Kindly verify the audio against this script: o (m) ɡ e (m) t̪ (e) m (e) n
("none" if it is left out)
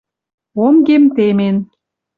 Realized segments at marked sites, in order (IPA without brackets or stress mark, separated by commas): m, m, e, e